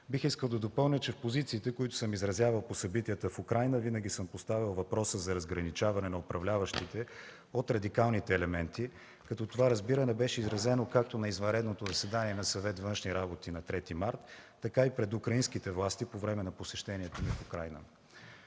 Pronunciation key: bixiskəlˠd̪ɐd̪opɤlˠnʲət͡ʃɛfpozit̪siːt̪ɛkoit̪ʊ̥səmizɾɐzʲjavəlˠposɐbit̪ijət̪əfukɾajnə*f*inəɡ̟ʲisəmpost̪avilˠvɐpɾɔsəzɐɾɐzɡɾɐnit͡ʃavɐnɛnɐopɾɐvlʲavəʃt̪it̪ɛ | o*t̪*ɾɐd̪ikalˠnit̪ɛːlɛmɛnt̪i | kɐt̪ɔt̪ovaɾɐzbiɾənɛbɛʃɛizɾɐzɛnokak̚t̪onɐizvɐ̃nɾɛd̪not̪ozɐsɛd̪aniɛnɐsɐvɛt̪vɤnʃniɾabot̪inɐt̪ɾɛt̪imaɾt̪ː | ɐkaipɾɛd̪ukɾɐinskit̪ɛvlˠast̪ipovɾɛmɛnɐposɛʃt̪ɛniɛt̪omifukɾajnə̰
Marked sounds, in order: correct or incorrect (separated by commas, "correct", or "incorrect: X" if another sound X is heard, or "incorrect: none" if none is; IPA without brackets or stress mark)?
incorrect: v, correct